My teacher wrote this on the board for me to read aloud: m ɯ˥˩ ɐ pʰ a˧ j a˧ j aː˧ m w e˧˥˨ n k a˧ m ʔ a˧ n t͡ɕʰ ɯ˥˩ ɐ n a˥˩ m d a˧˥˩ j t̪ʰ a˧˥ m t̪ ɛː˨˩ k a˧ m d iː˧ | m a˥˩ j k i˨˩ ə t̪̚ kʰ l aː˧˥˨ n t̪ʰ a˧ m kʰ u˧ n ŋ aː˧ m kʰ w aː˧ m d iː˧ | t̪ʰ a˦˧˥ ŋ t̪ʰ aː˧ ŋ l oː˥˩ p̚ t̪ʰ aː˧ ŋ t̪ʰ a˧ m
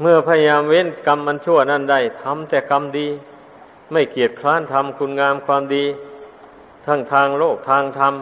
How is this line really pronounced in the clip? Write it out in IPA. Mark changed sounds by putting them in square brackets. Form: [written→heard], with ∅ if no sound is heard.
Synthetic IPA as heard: m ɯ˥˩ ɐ pʰ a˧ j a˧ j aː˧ m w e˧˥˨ n k a˧ m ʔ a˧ n t͡ɕʰ [ɯ˥˩→u˥˩] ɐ n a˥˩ [m→n] d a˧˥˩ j t̪ʰ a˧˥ m t̪ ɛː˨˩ k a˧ m d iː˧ | m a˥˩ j k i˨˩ ə t̪̚ kʰ l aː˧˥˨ n t̪ʰ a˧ m kʰ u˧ n ŋ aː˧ m kʰ w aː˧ m d iː˧ | t̪ʰ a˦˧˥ ŋ t̪ʰ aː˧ ŋ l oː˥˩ [p̚→k̚] t̪ʰ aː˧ ŋ t̪ʰ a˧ m